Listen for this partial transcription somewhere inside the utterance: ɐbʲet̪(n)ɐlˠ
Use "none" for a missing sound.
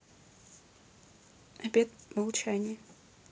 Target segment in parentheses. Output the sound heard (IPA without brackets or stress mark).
m